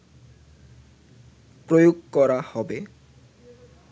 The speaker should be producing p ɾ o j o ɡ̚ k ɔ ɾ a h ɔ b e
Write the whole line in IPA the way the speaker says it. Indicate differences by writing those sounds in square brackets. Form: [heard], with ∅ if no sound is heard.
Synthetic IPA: p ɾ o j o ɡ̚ k ɔ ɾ a h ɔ b e